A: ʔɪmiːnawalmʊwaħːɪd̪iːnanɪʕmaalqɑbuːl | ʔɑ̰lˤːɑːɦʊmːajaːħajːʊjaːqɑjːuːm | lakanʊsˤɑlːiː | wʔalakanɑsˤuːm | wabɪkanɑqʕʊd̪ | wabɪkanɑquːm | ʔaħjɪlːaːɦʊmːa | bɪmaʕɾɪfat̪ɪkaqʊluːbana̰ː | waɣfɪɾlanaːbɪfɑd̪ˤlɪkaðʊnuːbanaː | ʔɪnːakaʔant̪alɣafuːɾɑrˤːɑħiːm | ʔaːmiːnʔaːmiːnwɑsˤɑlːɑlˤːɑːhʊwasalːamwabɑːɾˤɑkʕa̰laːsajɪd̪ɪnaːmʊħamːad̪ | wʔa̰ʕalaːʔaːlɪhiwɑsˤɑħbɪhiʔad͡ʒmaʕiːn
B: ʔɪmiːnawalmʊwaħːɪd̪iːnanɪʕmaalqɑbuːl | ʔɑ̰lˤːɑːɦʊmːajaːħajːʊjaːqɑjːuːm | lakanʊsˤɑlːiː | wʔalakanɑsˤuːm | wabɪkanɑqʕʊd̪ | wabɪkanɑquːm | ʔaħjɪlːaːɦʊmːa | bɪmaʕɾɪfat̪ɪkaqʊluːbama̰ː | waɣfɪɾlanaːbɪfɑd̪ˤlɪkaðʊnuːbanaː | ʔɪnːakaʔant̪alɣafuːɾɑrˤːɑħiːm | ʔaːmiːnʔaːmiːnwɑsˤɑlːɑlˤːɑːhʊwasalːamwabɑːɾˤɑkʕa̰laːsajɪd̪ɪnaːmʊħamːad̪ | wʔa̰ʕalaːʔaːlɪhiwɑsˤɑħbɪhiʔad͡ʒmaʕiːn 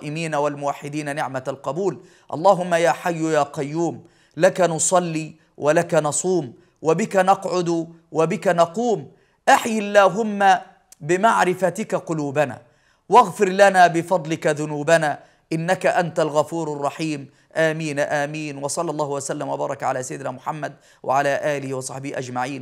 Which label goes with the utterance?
A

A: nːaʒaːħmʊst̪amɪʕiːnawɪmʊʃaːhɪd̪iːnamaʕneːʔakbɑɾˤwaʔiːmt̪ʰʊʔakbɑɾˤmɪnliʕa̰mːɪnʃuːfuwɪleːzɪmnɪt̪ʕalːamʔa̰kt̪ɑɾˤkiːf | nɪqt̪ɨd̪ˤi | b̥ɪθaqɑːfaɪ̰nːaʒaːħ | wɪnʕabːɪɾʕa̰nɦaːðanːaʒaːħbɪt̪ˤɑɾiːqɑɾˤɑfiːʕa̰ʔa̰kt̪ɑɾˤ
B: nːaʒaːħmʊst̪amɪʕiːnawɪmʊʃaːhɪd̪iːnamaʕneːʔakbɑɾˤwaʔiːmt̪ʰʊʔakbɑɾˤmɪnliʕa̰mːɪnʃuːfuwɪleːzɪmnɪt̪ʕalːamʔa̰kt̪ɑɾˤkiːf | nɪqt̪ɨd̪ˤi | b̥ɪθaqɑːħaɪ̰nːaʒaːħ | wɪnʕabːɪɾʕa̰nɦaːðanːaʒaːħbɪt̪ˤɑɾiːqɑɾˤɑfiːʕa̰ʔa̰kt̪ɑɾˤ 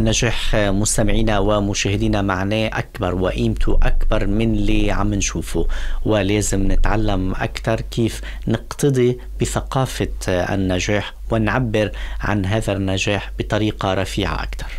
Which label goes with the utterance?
A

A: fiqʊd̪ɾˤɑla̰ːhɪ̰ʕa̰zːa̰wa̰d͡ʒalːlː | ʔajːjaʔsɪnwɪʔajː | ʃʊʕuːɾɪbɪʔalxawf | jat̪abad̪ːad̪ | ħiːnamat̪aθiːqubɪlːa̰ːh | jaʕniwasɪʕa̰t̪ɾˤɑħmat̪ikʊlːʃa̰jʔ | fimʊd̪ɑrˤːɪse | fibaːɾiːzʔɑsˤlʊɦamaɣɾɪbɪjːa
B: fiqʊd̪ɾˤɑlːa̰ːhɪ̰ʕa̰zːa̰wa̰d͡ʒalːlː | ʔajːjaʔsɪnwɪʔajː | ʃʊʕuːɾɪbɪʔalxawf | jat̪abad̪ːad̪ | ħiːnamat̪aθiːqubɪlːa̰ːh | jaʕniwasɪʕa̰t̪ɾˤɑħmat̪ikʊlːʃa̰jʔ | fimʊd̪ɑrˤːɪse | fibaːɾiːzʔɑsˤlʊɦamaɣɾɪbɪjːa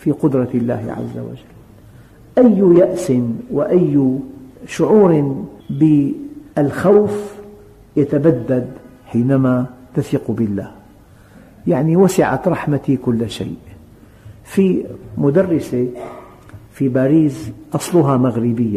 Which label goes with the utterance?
B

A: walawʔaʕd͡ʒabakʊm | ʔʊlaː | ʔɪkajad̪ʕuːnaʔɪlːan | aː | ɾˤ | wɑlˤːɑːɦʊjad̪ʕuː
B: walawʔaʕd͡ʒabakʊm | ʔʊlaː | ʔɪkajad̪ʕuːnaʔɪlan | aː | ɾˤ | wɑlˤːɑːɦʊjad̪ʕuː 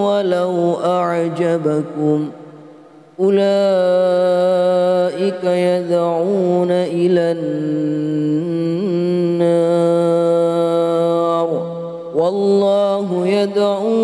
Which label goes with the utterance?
B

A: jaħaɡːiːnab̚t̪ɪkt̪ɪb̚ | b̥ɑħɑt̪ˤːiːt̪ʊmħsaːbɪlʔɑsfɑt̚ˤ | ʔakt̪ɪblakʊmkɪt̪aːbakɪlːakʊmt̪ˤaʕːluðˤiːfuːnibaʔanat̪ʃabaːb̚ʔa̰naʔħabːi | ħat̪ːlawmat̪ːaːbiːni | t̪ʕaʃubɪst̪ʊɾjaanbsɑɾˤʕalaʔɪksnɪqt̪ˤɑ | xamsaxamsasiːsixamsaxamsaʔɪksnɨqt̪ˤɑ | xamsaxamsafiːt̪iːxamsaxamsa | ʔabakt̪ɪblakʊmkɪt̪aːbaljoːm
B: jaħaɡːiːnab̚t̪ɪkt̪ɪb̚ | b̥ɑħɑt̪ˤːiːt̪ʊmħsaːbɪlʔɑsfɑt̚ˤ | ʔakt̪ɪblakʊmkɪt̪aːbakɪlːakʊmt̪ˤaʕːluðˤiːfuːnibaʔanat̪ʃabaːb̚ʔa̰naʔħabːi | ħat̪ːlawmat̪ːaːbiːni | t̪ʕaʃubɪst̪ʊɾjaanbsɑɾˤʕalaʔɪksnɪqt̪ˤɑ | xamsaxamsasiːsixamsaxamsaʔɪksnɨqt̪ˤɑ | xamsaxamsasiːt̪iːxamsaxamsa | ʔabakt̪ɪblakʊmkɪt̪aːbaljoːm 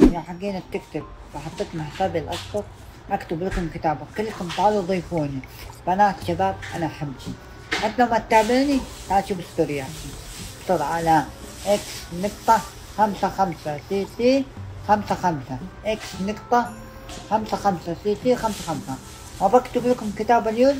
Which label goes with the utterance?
B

